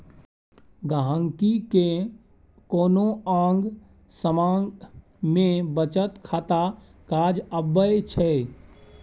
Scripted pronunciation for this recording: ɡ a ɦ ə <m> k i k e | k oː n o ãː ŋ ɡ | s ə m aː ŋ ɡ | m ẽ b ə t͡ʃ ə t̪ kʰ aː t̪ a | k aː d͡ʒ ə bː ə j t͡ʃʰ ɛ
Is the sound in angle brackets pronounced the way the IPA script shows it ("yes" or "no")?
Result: no